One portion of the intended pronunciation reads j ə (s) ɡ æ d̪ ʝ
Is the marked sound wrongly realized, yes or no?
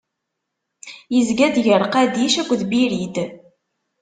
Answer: yes